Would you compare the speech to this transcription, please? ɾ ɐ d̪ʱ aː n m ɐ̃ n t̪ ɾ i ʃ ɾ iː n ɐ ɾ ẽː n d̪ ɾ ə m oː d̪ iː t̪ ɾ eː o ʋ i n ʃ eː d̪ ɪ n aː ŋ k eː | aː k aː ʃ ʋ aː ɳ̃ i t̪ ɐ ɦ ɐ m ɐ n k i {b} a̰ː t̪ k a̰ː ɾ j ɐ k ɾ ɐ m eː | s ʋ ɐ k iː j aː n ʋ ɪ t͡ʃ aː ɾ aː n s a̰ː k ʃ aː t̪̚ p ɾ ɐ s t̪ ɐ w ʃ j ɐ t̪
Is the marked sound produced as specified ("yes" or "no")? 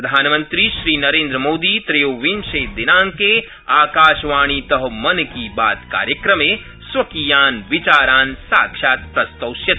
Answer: yes